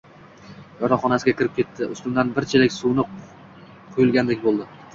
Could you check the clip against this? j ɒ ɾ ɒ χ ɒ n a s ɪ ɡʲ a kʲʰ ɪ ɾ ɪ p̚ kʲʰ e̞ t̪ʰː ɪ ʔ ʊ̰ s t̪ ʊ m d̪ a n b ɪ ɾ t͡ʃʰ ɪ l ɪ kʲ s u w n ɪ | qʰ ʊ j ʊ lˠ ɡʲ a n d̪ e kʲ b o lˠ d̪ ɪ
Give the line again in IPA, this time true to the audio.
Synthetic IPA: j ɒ ɾ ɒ χ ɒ n a s ɪ ɡʲ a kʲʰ ɪ ɾ ɪ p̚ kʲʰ e̞ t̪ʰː ɪ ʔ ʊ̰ s t̪ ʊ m d̪ a n b ɪ ɾ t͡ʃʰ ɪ l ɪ kʲ s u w n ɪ | qʰ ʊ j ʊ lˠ ɡʲ a n d̪ e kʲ b o lˠ d̪ ɪ